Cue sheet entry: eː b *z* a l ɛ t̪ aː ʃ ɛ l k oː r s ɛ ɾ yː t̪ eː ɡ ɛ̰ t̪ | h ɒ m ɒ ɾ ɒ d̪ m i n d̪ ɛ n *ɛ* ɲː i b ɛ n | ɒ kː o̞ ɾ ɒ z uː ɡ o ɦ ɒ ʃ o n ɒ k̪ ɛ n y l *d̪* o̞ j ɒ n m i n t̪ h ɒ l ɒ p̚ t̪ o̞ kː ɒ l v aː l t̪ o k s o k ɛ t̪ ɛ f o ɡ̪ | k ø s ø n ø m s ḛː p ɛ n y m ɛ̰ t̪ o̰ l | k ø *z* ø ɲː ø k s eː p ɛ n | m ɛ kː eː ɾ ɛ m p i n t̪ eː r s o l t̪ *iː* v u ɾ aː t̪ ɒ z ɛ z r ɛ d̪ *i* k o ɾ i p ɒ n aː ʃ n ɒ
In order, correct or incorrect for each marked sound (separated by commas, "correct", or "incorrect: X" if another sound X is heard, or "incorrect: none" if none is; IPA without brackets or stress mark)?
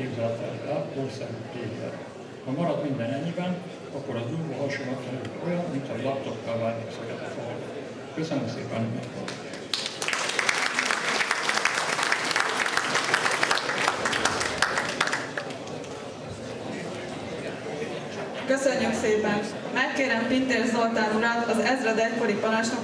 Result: correct, correct, incorrect: t̪, incorrect: s, incorrect: aː, incorrect: ɛ